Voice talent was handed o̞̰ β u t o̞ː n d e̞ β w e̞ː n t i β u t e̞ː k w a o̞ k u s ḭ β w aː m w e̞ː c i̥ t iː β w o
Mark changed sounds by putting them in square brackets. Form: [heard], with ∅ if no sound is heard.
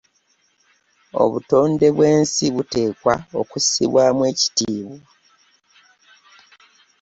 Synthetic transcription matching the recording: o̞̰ β u t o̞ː n d e̞ β w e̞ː n [s] i β u t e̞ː k w a o̞ k u s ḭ β w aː m w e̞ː c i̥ t iː β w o